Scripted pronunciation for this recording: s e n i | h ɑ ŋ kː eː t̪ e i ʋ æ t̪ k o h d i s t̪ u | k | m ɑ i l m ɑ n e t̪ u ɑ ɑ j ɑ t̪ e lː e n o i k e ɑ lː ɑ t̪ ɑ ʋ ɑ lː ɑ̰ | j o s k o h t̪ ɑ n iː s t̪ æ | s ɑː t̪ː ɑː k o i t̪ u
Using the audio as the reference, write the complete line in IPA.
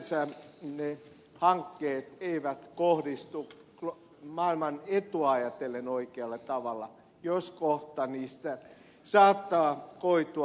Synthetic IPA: s æ n e | h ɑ ŋ kː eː t̪ e i ʋ æ t̪ k o h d i s t̪ u | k | m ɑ i l m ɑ n e t̪ u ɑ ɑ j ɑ t̪ e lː e n o i k e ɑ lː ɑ t̪ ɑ ʋ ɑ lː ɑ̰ | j o s k o h t̪ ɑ n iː s t̪ æ | s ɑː t̪ː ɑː k o i t̪ u